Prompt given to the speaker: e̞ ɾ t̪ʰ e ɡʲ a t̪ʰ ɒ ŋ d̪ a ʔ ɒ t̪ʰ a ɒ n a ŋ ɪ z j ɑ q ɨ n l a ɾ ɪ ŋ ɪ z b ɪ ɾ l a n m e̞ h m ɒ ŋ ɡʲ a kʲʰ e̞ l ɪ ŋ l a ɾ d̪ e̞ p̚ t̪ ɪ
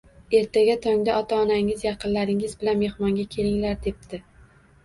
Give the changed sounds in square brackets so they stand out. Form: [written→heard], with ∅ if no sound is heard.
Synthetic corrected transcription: e̞ ɾ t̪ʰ [e→a] ɡʲ a t̪ʰ ɒ ŋ d̪ a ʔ ɒ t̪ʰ a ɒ n a ŋ ɪ z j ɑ q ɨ n l a ɾ ɪ ŋ ɪ z b ɪ [ɾ→∅] l a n m e̞ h m ɒ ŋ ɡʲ a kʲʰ e̞ l ɪ ŋ l a ɾ d̪ e̞ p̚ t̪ ɪ